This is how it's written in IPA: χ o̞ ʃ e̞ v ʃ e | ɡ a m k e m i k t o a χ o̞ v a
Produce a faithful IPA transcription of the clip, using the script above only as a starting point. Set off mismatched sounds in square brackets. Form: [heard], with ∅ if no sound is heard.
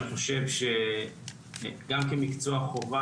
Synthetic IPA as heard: χ o̞ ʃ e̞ v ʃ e | ɡ a m k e m i k [t͡s] o a χ o̞ v a